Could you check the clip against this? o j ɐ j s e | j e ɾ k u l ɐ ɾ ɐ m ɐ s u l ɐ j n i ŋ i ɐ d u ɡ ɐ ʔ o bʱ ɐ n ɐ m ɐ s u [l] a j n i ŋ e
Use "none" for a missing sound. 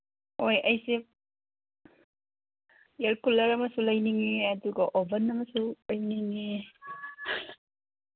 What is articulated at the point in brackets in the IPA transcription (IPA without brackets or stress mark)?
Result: l